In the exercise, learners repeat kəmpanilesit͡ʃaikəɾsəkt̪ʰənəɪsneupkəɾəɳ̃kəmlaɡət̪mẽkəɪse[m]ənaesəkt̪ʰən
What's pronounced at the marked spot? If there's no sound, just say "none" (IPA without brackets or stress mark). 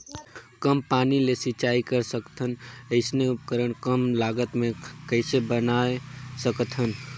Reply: b